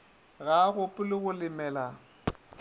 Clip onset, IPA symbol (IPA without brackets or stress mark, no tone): ɣ